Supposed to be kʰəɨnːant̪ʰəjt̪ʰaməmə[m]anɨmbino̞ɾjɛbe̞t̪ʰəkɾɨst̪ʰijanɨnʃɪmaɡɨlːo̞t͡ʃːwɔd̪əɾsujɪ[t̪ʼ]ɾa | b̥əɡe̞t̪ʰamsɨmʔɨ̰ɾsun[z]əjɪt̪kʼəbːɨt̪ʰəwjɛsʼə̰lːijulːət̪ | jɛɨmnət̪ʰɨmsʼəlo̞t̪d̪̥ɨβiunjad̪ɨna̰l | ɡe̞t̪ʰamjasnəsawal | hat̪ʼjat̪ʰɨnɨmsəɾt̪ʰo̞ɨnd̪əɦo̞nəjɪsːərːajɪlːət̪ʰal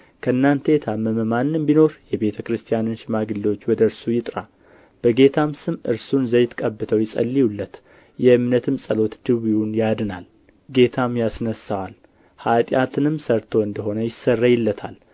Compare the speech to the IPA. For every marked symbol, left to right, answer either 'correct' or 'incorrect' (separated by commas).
correct, correct, correct